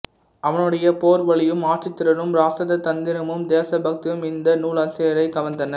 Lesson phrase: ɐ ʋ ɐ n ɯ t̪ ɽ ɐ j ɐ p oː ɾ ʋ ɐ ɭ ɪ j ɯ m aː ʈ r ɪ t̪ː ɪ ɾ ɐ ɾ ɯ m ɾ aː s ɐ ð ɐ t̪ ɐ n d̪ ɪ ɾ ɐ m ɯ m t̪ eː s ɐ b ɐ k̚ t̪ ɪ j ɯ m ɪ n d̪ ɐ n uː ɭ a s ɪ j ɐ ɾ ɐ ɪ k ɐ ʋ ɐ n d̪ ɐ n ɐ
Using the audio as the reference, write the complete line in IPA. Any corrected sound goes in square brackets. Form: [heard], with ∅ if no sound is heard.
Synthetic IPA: ɐ ʋ ɐ n ɯ [∅] ɽ ɐ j ɐ p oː ɾ ʋ ɐ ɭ ɪ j ɯ m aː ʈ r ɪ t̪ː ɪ ɾ ɐ ɾ ɯ m ɾ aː s ɐ ð ɐ t̪ ɐ n d̪ ɪ ɾ ɐ m ɯ m [d̪] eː s ɐ b ɐ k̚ t̪ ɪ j ɯ m ɪ n d̪ ɐ n uː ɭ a s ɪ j ɐ ɾ ɐ ɪ k ɐ ʋ ɐ n d̪ ɐ n ɐ

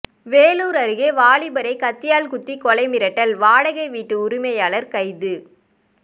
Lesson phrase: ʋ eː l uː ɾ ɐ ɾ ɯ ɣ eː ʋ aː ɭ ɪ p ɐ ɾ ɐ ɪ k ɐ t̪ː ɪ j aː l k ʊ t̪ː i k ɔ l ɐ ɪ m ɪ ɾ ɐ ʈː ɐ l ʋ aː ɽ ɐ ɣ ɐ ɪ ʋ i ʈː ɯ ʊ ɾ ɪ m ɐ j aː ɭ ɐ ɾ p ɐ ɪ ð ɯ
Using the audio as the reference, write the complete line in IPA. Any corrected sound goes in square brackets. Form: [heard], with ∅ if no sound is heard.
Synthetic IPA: ʋ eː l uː ɾ ɐ ɾ ɯ ɣ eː ʋ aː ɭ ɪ [b] ɐ ɾ ɐ ɪ k ɐ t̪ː ɪ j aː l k ʊ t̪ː i k ɔ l ɐ ɪ m ɪ ɾ ɐ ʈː ɐ l ʋ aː ɽ ɐ ɣ ɐ ɪ ʋ [iː] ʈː ɯ ʊ ɾ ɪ m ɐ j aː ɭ ɐ ɾ [k] ɐ ɪ ð ɯ

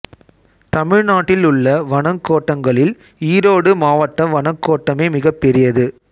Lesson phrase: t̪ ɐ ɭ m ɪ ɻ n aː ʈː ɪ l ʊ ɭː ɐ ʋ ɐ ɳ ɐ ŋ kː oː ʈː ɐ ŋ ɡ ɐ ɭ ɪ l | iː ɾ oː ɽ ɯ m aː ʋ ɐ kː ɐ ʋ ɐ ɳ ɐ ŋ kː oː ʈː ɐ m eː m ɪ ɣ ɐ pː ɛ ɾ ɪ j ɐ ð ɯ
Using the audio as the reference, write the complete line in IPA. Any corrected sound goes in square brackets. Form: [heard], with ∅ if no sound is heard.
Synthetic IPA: t̪ ɐ [∅] m ɪ ɻ n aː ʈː ɪ l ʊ ɭː ɐ ʋ ɐ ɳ ɐ ŋ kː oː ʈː ɐ ŋ ɡ ɐ ɭ ɪ l | iː ɾ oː ɽ ɯ m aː ʋ ɐ [ʈː] ɐ ʋ ɐ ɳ ɐ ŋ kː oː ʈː ɐ m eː m ɪ ɣ ɐ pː ɛ ɾ ɪ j ɐ ð ɯ

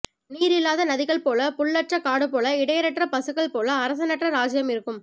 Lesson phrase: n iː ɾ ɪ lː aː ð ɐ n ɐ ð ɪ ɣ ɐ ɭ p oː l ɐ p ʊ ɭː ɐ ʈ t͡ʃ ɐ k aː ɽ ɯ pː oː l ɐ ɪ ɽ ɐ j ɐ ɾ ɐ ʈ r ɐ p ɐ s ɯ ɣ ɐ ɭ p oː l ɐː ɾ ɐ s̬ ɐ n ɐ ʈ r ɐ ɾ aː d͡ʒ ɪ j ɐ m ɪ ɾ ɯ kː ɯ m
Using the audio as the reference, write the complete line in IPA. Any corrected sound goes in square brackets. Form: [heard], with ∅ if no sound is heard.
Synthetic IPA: n iː ɾ ɪ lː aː ð ɐ n ɐ ð ɪ ɣ ɐ ɭ p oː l ɐ p ʊ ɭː ɐ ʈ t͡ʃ ɐ k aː ɽ ɯ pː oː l ɐ ɪ ɽ ɐ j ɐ ɾ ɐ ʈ r ɐ p ɐ s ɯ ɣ ɐ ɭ p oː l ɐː ɾ ɐ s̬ ɐ n ɐ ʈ r ɐ ɾ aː d͡ʒ ɪ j ɐ m ɪ ɾ ɯ kː ɯ m

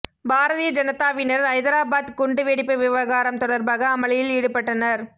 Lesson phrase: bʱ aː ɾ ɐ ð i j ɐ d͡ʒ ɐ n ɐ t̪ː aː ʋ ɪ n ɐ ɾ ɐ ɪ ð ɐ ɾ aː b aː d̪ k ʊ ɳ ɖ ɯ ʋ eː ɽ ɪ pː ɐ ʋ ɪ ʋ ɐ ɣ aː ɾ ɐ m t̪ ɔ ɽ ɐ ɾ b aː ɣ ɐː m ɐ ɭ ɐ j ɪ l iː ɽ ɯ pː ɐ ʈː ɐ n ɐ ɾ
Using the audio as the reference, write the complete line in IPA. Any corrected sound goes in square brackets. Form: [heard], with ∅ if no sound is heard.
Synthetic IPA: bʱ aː ɾ ɐ ð i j ɐ d͡ʒ ɐ n ɐ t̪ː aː ʋ ɪ n ɐ ɾ ɐ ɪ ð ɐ ɾ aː b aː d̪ k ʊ ɳ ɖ ɯ ʋ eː ɽ ɪ pː ɐ ʋ ɪ ʋ ɐ ɣ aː ɾ ɐ m t̪ ɔ ɽ ɐ ɾ b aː ɣ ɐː m ɐ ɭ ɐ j ɪ l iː ɽ ɯ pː ɐ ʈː ɐ n ɐ ɾ

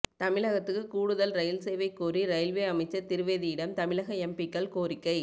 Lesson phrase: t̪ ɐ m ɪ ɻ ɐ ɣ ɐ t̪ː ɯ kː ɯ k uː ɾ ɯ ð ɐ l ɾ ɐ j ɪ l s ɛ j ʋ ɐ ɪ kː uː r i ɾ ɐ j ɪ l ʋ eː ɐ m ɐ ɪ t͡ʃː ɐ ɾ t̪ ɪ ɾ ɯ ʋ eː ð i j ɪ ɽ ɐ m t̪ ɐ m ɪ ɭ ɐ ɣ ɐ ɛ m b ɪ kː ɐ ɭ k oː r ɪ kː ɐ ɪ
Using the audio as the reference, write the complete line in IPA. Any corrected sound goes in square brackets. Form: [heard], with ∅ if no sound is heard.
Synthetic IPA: t̪ ɐ m ɪ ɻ ɐ ɣ ɐ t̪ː ɯ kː ɯ k uː [ɽ] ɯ ð ɐ l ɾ ɐ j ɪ l s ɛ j ʋ ɐ ɪ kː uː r i ɾ ɐ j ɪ l ʋ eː ɐ m ɐ ɪ t͡ʃː ɐ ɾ t̪ ɪ ɾ ɯ ʋ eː ð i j ɪ ɽ ɐ m t̪ ɐ m ɪ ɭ ɐ ɣ ɐ ɛ m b ɪ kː ɐ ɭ k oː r ɪ kː ɐ ɪ

